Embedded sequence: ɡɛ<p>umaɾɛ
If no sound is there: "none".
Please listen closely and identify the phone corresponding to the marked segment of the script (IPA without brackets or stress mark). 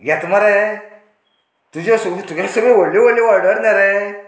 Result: t